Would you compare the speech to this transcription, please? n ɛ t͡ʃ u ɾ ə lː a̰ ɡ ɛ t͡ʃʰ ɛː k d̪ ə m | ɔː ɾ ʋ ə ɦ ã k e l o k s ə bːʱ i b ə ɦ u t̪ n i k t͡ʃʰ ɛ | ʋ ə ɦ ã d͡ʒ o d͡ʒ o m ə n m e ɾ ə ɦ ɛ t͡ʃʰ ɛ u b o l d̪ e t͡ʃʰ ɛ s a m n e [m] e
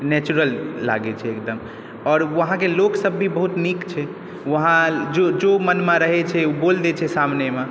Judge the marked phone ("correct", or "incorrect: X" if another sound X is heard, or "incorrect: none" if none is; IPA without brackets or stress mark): correct